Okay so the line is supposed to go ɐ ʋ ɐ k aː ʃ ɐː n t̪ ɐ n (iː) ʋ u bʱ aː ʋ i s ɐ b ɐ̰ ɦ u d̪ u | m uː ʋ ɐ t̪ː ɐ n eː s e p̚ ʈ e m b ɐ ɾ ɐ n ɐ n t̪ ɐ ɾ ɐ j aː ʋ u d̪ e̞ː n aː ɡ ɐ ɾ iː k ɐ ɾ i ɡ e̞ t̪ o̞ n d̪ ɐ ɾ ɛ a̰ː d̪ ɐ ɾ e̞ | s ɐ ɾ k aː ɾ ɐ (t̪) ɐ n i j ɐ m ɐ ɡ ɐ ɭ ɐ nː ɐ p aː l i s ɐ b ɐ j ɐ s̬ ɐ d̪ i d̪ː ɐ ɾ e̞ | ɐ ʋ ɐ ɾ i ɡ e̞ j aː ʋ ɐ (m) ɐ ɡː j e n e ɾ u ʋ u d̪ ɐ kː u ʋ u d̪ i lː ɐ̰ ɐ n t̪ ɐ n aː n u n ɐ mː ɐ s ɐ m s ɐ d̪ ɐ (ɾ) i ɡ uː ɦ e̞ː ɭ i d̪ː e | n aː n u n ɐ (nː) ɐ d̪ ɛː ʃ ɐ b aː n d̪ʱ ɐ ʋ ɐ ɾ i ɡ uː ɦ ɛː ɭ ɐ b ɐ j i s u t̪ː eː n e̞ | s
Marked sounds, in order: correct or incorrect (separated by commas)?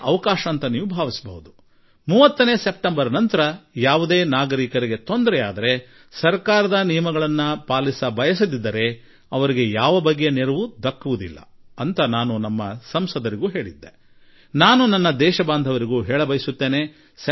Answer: correct, incorrect, incorrect, correct, correct